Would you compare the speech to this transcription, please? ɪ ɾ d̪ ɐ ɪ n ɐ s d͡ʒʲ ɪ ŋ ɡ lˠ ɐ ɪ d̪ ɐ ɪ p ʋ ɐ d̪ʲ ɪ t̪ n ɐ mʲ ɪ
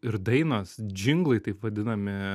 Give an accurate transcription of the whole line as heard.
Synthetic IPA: ɪ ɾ d̪ ɐ ɪ n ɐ s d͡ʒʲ ɪ ŋ ɡ lˠ ɐ ɪ t̪ ɐ ɪ p ʋ ɐ d̪ʲ ɪ n ɐ mʲ ɪ